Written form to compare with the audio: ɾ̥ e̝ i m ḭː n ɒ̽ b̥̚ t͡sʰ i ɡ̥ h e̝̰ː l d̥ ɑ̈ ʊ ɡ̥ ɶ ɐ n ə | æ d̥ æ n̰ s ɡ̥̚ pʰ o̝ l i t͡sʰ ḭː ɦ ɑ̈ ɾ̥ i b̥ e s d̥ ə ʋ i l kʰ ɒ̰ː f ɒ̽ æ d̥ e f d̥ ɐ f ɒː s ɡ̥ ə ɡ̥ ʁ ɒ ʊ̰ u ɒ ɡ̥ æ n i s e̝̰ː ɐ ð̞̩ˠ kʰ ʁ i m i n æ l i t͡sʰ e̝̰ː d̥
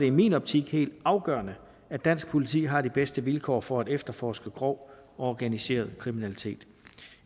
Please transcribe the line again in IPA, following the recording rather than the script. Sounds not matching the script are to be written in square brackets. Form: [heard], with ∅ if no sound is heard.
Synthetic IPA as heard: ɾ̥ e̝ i m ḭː n ɒ̽ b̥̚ t͡sʰ i ɡ̥ h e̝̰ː l d̥ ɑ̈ ʊ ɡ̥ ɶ ɐ n ə | æ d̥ æ n̰ s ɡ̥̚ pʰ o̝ l i t͡sʰ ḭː ɦ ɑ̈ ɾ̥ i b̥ e s d̥ ə ʋ i l kʰ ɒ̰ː f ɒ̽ æ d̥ e f d̥ ɐ f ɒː s ɡ̥ ə ɡ̥ ʁ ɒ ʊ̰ [ɒ] ɒ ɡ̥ æ n i s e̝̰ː ɐ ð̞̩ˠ kʰ ʁ i m i n æ l i t͡sʰ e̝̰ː d̥